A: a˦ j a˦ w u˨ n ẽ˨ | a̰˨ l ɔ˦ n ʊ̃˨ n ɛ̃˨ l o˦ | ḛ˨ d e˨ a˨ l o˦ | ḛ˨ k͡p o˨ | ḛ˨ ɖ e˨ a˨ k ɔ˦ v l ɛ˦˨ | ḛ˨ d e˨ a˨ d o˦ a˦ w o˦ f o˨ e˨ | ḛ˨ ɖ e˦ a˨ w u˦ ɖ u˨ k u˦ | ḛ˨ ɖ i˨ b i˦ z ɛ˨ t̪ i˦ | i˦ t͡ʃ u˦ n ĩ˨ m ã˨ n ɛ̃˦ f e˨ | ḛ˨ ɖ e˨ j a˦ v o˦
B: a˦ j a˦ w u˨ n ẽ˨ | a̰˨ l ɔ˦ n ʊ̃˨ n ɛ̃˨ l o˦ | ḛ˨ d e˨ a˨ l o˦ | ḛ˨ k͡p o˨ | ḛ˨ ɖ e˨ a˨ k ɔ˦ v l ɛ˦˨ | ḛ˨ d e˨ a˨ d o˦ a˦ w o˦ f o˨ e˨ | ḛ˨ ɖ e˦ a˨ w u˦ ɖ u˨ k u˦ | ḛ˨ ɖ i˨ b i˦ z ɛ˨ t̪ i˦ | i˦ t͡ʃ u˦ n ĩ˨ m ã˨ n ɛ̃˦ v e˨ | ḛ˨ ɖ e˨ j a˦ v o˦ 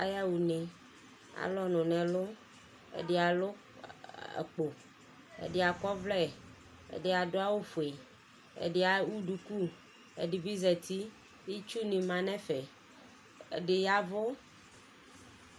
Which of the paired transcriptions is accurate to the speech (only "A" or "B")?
A